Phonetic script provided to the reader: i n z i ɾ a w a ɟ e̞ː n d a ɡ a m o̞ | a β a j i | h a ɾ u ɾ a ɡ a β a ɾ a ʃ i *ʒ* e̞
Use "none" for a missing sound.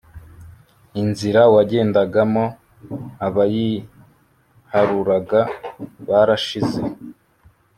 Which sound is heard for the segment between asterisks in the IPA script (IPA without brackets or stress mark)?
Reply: z